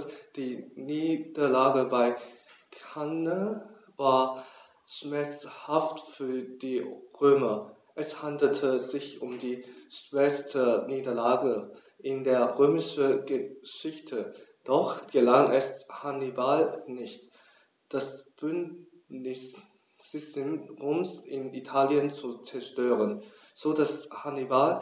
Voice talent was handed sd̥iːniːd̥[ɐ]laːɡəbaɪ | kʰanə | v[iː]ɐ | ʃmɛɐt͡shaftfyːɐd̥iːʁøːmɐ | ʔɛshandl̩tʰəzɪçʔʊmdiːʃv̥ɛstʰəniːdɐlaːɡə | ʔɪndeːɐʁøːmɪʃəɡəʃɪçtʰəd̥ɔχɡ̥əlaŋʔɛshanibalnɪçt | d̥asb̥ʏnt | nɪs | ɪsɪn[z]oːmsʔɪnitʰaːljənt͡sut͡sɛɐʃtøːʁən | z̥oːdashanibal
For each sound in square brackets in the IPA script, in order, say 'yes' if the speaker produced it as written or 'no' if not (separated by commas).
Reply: yes, no, no